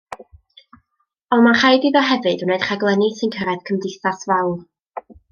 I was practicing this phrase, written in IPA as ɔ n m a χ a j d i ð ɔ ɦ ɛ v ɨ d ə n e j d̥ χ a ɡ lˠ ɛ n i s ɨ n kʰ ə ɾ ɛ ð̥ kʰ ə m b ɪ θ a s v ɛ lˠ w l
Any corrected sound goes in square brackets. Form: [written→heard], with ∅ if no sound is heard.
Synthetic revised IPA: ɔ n m a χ a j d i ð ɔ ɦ ɛ v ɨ d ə n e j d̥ χ a ɡ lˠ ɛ n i s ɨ n kʰ ə ɾ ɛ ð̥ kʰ ə m [b→d] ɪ θ a s v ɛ [lˠ→∅] w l